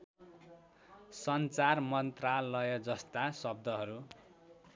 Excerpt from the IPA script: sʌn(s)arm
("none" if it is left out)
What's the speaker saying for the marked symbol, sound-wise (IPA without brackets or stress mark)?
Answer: t͡s